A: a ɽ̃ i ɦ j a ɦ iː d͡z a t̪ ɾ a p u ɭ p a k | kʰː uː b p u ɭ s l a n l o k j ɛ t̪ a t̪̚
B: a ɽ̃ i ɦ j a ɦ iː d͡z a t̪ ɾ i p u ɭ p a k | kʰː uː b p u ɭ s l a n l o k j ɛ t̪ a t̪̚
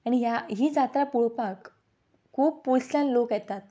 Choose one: A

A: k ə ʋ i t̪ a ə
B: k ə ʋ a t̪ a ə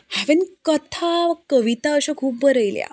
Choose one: A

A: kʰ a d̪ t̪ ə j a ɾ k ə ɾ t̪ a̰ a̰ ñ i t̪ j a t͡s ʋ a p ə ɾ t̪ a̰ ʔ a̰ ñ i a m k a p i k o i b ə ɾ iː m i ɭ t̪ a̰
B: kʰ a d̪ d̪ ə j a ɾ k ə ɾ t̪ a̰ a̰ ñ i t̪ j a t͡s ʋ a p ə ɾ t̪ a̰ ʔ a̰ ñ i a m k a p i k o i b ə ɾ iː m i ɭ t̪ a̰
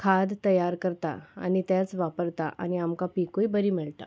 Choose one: A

